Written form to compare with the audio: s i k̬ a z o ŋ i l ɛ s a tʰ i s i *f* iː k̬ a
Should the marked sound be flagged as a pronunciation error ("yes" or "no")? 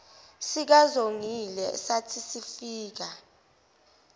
no